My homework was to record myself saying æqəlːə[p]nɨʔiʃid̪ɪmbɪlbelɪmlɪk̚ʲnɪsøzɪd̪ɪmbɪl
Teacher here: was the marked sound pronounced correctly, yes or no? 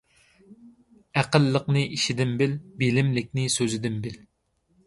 no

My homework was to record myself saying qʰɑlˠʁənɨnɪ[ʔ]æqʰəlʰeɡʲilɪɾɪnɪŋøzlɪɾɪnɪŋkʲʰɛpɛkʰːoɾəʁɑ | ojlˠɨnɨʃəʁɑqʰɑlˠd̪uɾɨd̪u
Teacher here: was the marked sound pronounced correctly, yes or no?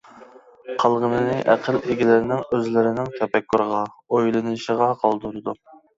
yes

